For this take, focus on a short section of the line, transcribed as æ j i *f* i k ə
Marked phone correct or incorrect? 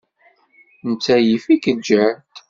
correct